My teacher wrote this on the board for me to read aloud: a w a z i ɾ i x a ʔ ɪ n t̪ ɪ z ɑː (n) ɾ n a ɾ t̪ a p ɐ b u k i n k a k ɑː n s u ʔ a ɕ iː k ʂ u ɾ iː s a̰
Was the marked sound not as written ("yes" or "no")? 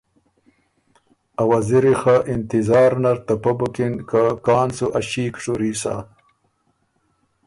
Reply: yes